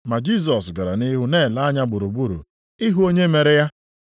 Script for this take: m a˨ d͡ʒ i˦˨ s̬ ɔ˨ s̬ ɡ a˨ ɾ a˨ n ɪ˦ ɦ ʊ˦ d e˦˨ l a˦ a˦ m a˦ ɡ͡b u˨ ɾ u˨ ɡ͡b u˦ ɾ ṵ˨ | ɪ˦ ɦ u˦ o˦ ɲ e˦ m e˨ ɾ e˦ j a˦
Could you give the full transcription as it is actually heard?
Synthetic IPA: m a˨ d͡ʒ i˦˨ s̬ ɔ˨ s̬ ɡ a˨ ɾ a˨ n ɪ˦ ɦ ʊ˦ n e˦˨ l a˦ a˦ ɲ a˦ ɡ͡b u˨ ɾ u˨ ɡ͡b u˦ ɾ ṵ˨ | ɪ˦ ɦ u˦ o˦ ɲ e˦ m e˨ ɾ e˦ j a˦